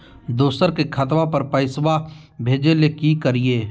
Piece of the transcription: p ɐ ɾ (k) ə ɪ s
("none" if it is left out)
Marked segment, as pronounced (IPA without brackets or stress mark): p